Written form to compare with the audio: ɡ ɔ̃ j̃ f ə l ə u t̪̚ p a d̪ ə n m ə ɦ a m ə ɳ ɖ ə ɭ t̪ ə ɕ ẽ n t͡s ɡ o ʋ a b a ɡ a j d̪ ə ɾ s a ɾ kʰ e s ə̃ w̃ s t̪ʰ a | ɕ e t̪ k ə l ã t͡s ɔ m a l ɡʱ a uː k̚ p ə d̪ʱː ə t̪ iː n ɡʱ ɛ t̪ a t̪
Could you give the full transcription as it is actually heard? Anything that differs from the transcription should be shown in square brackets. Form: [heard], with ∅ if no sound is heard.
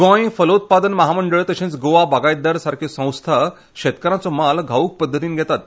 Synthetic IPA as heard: ɡ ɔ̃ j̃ f ə l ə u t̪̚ p a d̪ ə n m ə ɦ a m ə ɳ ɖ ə ɭ t̪ ə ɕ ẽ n t͡s ɡ o ʋ a b a ɡ a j d̪ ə ɾ s a ɾ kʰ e s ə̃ w̃ s t̪ʰ a | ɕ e t̪ k ə [ɾ] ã t͡s ɔ m a l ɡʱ a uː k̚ p ə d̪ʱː ə t̪ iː n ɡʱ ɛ t̪ a t̪